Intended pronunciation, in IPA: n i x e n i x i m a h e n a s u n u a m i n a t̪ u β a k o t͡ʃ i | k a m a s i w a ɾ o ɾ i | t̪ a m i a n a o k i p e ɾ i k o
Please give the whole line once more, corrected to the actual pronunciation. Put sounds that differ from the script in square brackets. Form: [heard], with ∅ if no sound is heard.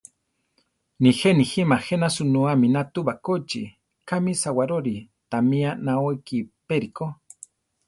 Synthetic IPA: n i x e n i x i m a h e n a s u n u a m i n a t̪ u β a k o t͡ʃ i | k a m [i] s [a] w a ɾ o ɾ i | t̪ a m i a n a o k i p e ɾ i k o